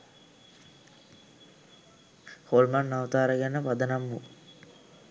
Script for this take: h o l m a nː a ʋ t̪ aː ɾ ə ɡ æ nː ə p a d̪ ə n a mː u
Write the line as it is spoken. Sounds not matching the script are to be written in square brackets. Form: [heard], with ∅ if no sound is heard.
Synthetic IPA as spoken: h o l m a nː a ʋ t̪ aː ɾ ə ɡ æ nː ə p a d̪ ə n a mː u